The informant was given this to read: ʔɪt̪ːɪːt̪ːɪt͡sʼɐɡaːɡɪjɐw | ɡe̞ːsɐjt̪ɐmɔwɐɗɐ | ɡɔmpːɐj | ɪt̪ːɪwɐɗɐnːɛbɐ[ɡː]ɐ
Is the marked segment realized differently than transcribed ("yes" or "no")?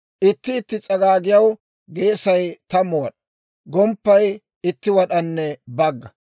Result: no